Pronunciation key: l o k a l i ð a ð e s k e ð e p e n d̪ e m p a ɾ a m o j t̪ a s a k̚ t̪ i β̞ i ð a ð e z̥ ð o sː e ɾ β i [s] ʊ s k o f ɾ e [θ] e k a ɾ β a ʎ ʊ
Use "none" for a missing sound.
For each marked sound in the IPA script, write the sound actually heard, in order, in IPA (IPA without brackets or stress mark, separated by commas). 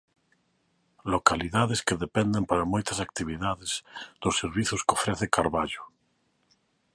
θ, θ